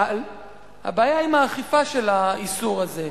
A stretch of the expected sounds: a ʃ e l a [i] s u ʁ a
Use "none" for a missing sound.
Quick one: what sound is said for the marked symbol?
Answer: i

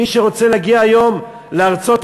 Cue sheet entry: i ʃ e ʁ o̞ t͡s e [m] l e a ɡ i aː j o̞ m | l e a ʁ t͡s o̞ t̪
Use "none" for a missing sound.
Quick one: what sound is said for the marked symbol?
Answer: none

